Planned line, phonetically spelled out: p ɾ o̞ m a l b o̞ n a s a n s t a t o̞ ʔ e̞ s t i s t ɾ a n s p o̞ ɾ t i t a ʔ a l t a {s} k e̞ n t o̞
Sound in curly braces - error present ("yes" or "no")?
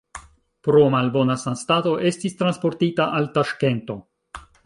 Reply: yes